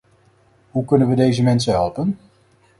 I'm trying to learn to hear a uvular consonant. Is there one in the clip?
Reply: no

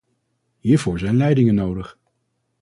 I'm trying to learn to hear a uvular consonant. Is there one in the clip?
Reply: yes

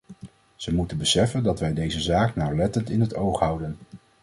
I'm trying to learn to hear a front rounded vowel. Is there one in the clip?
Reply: no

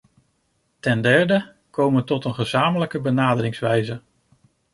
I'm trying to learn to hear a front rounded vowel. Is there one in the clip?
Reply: no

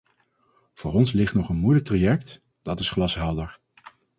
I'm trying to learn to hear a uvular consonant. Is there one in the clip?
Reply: yes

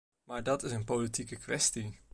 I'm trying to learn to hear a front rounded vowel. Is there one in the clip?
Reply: no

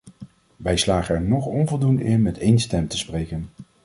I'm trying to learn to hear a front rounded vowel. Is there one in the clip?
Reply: no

